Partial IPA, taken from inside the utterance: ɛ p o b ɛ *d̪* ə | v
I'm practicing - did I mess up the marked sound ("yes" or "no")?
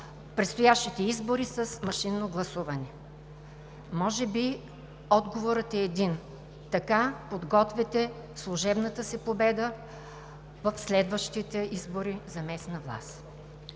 no